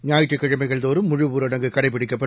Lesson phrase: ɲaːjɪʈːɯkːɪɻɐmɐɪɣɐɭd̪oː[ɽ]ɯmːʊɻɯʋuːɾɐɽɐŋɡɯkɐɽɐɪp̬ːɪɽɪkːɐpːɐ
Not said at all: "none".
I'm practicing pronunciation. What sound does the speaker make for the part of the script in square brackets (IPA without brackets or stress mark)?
ɾ